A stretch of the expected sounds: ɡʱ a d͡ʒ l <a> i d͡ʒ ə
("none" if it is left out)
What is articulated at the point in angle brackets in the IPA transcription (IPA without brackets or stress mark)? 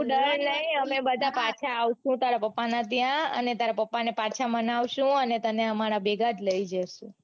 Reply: ə